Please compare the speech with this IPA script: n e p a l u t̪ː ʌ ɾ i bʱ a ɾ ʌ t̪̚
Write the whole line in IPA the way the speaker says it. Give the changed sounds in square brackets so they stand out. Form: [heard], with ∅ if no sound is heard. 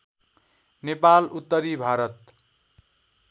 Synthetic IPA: n e p a l u t̪ː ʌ ɾ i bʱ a ɾ ʌ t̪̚

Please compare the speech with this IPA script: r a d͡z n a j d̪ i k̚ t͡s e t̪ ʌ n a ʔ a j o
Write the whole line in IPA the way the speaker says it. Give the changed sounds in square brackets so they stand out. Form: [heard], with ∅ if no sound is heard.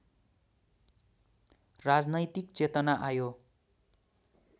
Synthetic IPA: r a d͡z n [ʌ] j [t̪] i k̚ t͡s e t̪ ʌ n a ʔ a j o

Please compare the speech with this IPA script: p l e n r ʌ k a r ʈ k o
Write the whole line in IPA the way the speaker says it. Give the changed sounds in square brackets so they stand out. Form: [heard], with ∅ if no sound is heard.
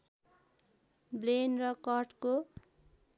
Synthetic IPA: [b] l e n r ʌ k [ʌ] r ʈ k o

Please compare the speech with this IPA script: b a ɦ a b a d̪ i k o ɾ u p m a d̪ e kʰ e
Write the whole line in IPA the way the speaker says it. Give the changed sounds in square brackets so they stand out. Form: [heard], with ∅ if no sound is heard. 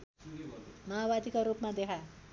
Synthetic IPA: [m] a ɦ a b a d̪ i k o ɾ u p m a d̪ e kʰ [a]

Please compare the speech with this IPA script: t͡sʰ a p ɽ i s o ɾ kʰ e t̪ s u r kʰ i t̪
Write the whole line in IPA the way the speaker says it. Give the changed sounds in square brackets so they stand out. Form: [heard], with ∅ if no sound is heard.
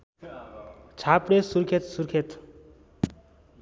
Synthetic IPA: t͡sʰ a p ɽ [e] s [u] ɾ kʰ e t̪ s u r kʰ [e] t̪

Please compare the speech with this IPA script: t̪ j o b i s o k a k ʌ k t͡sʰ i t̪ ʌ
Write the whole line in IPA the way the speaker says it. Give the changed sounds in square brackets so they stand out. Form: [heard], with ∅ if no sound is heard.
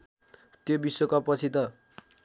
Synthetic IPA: t̪ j o b i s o k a [p] ʌ [∅] t͡sʰ i t̪ ʌ

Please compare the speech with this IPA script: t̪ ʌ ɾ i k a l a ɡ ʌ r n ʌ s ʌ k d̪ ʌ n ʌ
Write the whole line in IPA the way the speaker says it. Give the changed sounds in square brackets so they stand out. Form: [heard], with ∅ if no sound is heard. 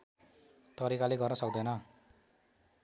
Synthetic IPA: t̪ ʌ ɾ i k a l [e] ɡ ʌ r n ʌ s ʌ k d̪ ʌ n ʌ

